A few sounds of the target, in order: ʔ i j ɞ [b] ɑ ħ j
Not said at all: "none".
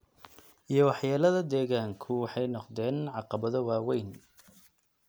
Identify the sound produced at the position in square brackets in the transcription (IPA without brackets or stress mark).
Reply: w